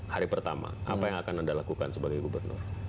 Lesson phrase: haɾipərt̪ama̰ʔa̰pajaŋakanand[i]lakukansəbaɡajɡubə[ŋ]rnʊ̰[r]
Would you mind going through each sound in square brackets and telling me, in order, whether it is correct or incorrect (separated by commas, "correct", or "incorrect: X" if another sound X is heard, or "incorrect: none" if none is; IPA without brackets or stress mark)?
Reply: incorrect: a, incorrect: none, correct